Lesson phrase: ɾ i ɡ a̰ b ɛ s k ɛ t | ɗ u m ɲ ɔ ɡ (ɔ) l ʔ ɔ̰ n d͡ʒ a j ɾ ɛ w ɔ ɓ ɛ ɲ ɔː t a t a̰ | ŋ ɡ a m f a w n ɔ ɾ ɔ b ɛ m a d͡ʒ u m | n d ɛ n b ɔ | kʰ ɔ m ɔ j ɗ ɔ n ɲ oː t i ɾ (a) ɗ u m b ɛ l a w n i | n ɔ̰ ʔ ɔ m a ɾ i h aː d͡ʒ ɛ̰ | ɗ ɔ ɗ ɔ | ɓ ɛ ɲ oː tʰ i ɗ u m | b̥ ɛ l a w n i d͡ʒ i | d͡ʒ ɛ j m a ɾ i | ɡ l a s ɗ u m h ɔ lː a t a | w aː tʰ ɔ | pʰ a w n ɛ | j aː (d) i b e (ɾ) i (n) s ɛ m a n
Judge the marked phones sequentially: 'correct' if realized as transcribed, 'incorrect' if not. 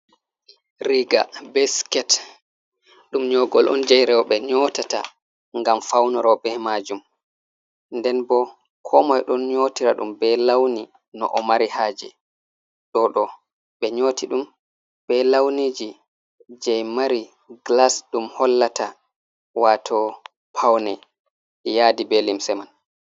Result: correct, correct, correct, incorrect, incorrect

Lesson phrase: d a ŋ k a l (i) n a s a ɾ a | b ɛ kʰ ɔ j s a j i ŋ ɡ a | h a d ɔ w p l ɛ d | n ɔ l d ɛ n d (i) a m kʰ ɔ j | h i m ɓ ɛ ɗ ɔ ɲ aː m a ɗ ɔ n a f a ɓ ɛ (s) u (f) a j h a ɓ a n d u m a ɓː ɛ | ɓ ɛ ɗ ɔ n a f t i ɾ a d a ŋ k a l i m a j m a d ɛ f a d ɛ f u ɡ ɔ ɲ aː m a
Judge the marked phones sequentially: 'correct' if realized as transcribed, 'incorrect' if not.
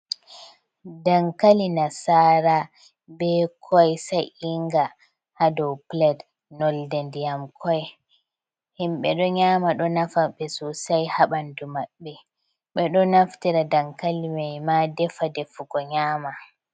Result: correct, incorrect, correct, incorrect

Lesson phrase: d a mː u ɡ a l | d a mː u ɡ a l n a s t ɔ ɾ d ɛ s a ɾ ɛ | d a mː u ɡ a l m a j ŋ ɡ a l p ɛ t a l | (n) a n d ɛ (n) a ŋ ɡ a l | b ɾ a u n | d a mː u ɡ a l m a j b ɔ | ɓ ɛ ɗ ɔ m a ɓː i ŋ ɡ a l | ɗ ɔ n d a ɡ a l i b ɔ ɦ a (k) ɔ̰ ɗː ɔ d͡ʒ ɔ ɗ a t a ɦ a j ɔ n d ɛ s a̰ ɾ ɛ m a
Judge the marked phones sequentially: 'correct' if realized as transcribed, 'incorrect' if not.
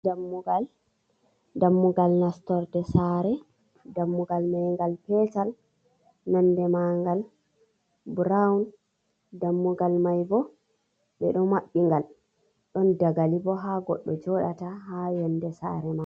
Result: correct, incorrect, incorrect

